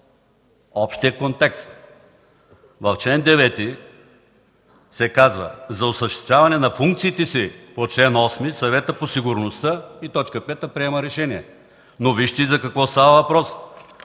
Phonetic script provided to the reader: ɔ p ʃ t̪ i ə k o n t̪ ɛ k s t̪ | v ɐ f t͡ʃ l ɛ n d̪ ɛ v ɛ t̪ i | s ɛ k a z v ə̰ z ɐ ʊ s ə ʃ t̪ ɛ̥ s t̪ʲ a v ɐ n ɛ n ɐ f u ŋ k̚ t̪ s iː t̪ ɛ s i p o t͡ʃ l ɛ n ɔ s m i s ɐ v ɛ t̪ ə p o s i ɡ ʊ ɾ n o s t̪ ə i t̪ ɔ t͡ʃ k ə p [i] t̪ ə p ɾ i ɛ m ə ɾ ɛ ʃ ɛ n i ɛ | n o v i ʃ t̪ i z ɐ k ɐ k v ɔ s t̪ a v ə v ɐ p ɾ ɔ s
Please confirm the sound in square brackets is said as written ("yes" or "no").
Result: no